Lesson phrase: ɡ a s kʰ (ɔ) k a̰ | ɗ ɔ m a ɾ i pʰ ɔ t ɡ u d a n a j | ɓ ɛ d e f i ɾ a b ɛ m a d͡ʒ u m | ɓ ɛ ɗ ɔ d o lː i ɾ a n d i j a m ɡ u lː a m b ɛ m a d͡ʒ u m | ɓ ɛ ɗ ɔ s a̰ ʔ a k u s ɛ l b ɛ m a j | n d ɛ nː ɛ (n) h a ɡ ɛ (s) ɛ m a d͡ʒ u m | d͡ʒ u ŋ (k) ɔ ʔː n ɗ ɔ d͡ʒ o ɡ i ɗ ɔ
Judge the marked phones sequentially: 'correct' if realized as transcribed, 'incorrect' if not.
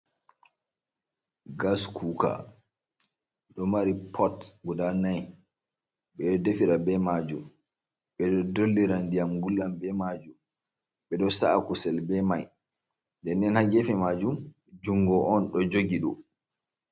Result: incorrect, correct, incorrect, incorrect

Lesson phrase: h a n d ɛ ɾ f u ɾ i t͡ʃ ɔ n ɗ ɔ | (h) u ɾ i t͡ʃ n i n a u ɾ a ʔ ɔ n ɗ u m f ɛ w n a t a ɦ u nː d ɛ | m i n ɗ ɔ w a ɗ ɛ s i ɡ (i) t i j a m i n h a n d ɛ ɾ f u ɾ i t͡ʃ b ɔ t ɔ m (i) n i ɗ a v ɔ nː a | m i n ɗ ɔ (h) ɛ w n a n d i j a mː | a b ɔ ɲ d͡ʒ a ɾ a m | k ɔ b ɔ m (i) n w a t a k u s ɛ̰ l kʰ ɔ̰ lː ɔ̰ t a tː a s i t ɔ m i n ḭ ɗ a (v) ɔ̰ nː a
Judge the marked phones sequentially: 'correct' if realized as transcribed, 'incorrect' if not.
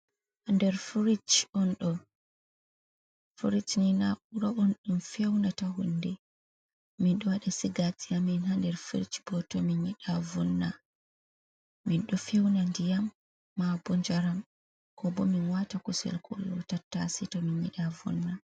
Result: incorrect, incorrect, correct, incorrect, correct, correct

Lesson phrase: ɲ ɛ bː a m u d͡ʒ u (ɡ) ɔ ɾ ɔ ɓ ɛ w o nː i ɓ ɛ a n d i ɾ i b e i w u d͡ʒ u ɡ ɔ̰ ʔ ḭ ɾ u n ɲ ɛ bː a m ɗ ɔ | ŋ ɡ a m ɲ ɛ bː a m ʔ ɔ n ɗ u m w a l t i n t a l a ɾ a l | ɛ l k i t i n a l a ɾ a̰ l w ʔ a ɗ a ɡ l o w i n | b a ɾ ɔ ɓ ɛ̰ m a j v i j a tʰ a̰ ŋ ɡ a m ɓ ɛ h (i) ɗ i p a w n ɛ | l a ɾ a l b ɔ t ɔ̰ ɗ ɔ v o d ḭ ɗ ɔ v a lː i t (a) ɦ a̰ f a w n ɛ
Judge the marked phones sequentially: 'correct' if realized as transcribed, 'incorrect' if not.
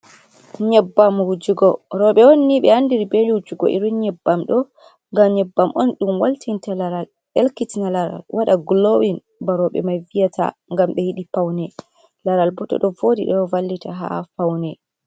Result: correct, correct, correct

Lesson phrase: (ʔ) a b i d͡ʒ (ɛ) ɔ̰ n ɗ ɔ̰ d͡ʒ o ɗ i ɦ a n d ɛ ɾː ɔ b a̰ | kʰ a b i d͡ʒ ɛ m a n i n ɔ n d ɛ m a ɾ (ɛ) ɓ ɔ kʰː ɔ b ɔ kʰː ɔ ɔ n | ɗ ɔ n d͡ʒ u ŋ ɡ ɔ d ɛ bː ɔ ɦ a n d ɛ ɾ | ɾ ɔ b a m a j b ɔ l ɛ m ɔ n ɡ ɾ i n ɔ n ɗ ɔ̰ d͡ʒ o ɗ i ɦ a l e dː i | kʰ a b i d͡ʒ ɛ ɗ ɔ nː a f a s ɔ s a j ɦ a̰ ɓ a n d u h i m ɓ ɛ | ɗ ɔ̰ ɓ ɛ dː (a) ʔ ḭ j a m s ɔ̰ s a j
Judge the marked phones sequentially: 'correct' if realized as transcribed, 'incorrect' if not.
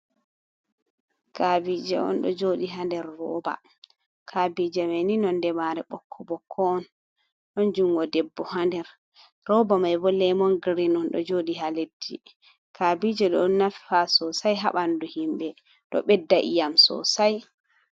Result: incorrect, correct, correct, correct

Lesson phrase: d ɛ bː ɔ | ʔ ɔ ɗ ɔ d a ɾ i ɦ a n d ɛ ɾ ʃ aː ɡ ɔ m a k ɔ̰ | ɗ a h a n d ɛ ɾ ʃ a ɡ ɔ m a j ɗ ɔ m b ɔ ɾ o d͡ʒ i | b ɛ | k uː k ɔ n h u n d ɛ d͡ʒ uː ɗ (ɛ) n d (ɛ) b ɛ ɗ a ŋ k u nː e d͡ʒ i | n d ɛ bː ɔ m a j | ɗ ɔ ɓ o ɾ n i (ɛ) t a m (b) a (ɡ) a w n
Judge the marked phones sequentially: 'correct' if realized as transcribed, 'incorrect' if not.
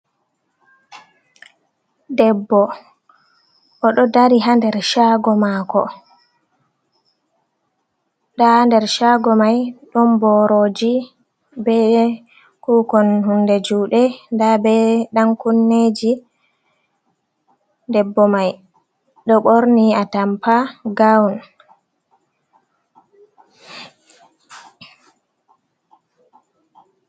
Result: correct, incorrect, incorrect, incorrect, correct

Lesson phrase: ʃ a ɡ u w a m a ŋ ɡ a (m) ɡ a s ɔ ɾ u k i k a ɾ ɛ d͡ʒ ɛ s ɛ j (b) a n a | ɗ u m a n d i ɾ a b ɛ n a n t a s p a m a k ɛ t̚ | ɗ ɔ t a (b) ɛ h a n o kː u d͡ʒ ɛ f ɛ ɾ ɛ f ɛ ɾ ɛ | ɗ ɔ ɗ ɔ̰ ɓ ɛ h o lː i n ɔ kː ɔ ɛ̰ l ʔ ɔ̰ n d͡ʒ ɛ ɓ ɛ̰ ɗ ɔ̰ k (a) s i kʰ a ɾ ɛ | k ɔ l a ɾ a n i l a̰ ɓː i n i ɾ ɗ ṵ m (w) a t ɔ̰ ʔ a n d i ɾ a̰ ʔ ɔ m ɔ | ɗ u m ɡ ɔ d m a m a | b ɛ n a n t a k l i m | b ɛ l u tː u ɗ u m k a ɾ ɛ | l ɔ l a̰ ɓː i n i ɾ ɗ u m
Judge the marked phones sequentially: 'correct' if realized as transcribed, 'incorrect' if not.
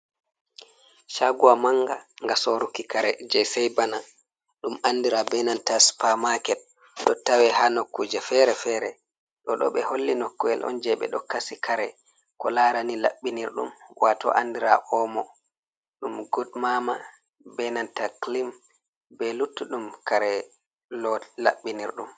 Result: incorrect, correct, incorrect, correct, correct

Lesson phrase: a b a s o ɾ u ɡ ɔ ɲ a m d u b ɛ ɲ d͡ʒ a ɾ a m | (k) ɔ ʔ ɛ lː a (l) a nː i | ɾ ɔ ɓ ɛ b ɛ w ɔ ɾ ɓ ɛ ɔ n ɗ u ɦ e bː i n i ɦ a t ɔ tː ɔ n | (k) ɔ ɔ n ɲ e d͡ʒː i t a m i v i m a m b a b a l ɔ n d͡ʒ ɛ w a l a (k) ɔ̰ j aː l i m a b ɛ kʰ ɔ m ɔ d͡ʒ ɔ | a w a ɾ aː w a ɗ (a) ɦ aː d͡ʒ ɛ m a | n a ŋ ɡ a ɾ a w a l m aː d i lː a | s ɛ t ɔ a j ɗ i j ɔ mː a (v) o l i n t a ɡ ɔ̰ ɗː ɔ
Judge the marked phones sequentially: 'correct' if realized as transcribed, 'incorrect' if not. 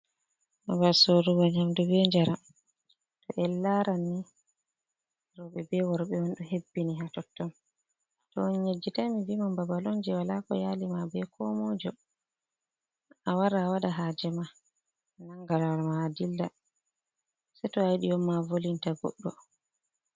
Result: incorrect, incorrect, incorrect, correct, correct, correct

